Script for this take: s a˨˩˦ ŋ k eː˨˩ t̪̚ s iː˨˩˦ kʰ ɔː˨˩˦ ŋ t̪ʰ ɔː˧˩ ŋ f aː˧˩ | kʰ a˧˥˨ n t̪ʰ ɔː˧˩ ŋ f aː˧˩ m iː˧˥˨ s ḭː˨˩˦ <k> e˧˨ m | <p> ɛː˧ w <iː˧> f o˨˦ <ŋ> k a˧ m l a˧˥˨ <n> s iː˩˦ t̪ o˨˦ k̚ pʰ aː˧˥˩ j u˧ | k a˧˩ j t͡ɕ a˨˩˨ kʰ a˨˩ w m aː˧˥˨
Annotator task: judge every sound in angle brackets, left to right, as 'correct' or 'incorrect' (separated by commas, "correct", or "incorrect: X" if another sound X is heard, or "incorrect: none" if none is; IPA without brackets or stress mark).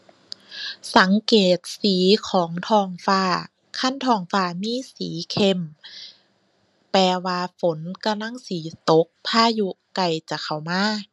incorrect: kʰ, correct, incorrect: aː˧, incorrect: n, incorrect: ŋ